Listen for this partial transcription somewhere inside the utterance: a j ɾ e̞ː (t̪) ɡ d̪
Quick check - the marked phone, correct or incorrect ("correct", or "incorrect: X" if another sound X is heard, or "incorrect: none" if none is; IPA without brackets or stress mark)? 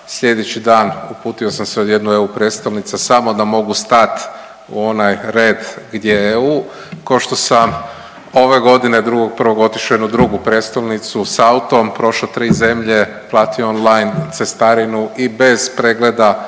incorrect: d̪